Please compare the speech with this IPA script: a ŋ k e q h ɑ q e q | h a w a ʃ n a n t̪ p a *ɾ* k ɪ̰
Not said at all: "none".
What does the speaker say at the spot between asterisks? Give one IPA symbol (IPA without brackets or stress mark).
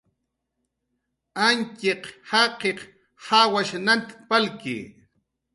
l